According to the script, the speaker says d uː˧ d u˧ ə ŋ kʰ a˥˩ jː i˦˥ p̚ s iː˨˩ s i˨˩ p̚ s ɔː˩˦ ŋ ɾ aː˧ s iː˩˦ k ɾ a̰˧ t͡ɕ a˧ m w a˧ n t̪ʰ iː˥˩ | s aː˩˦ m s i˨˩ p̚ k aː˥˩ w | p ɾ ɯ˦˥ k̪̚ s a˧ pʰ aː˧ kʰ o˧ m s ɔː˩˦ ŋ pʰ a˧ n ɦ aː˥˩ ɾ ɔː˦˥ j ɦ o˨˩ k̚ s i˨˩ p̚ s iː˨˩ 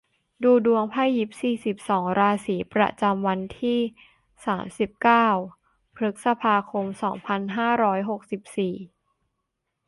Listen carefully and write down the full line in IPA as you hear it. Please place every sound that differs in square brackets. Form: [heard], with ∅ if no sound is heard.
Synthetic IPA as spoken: d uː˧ d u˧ ə ŋ [pʰ] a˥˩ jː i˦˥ p̚ s iː˨˩ s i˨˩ p̚ s ɔː˩˦ ŋ ɾ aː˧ s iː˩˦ [p] ɾ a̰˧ t͡ɕ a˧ m w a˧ n t̪ʰ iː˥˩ | s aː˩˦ m s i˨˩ p̚ k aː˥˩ w | [pʰ] ɾ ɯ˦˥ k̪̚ s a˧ pʰ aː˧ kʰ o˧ m s ɔː˩˦ ŋ pʰ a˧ n ɦ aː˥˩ ɾ ɔː˦˥ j ɦ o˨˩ k̚ s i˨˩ p̚ s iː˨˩